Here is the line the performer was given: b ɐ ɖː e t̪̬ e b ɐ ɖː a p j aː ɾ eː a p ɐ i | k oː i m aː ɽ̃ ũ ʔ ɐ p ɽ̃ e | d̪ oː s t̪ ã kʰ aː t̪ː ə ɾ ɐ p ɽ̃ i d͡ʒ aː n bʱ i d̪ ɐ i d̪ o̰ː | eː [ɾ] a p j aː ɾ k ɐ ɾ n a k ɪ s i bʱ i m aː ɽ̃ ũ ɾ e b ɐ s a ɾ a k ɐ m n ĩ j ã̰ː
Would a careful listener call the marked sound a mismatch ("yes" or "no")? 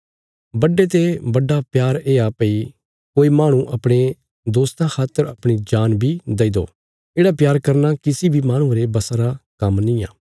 yes